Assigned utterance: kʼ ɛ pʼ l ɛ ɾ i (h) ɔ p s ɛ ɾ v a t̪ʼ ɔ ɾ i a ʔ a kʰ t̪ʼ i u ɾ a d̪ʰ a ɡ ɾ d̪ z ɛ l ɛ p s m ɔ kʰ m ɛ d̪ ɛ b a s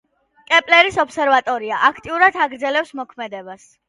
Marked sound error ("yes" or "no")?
yes